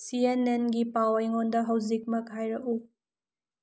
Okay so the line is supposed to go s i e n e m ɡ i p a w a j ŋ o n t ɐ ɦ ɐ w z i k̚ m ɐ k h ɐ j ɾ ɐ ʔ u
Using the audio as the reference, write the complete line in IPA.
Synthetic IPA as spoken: s i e n e n ɡ i p a w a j ŋ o n d ɐ ɦ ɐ w z i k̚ m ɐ k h a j ɾ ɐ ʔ u